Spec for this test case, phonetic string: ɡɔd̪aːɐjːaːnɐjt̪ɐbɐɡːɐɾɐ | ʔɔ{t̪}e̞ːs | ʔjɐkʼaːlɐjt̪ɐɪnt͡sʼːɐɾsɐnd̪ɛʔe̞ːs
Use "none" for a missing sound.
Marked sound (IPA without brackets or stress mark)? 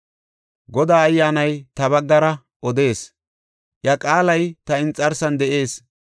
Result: d̪